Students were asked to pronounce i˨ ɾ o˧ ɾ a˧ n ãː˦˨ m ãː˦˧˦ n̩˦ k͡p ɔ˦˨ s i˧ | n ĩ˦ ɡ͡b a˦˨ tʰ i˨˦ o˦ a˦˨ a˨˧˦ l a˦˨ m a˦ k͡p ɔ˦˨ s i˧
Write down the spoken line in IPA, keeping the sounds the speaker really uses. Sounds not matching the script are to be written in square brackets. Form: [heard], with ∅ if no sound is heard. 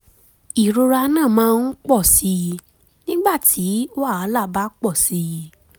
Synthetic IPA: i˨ ɾ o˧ ɾ a˧ n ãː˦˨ m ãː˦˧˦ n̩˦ k͡p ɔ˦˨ s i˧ | n ĩ˦ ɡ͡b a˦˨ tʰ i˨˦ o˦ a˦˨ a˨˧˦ l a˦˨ [b] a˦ k͡p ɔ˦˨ s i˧